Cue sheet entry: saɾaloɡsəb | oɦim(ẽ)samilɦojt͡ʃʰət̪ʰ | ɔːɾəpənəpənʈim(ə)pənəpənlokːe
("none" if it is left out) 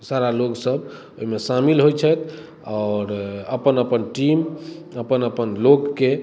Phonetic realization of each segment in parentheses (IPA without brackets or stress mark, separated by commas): e, ə